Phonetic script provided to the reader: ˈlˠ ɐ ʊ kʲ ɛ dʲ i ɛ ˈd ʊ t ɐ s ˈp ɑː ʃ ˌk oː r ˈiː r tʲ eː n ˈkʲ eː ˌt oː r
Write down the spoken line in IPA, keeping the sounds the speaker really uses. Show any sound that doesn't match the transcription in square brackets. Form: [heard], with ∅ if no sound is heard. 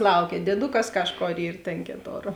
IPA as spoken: ˈlˠ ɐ ʊ kʲ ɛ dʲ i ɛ ˈd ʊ [k] ɐ s [ˈk] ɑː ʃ ˌk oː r ˈiː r tʲ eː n ˈkʲ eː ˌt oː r